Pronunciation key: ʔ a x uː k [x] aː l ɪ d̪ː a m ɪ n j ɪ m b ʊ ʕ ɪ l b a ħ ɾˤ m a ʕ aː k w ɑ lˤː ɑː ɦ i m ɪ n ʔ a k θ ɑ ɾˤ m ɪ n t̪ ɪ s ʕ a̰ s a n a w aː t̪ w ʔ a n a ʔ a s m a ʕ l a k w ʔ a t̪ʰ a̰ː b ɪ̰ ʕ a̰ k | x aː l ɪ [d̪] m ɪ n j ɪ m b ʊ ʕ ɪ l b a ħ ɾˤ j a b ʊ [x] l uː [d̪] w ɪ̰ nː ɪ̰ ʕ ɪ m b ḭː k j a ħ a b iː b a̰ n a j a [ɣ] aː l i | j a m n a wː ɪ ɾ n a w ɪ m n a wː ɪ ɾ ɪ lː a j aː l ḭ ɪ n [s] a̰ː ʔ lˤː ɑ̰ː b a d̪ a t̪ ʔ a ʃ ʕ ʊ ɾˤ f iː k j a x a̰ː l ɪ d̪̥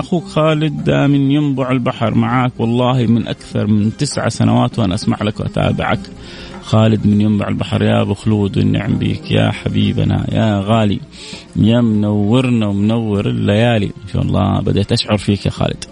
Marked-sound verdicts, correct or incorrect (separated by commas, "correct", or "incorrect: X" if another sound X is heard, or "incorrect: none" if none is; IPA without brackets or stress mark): correct, correct, correct, correct, correct, incorrect: ʃ